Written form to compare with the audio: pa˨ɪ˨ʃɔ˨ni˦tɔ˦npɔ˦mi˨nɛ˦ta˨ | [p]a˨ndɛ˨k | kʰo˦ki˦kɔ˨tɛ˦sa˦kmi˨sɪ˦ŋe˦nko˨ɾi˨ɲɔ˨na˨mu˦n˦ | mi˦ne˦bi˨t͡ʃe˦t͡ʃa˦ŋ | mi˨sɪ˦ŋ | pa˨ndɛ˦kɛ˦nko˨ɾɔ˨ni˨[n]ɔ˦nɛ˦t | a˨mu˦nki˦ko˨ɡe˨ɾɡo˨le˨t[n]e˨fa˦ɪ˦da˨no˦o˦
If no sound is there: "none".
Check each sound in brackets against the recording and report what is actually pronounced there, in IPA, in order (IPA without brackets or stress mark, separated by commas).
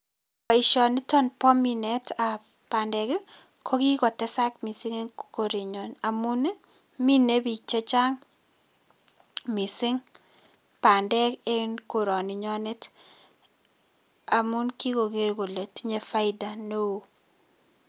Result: p, ɲ, ɲ